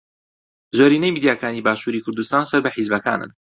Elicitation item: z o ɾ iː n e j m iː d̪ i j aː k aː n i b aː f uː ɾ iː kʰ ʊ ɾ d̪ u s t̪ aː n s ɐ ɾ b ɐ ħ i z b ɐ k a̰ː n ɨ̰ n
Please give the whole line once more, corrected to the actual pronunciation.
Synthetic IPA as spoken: z o ɾ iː n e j m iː d̪ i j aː k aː n i b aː ʃ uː ɾ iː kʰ ʊ ɾ d̪ u s t̪ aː n s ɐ ɾ b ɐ ħ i z b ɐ k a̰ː n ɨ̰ n